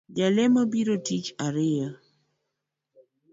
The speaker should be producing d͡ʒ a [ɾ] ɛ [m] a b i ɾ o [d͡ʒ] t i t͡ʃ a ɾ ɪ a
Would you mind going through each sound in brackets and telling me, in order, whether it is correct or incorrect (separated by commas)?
incorrect, correct, incorrect